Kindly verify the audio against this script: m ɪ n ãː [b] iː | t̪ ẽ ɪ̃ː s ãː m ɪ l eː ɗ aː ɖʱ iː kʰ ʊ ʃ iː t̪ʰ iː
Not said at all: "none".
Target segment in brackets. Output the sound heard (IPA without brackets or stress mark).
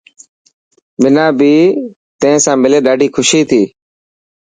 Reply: b